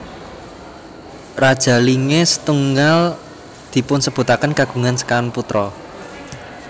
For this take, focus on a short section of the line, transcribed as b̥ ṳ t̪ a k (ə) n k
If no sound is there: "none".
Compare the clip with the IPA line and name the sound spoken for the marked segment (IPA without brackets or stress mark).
ə